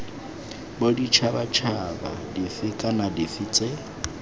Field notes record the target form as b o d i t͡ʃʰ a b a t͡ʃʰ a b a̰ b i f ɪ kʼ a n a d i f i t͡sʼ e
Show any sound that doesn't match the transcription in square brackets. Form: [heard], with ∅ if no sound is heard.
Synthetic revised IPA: b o d i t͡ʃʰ a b a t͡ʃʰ a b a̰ [d] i f ɪ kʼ a n a d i f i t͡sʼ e